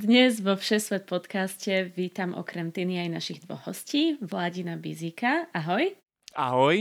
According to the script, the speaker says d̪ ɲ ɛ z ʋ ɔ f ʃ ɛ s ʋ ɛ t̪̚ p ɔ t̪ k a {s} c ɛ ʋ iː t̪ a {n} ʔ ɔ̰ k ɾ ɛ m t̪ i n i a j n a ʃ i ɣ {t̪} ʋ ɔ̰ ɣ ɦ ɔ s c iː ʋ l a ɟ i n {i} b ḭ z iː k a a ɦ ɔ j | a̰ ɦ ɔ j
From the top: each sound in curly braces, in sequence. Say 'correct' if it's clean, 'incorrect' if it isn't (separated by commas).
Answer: correct, incorrect, incorrect, incorrect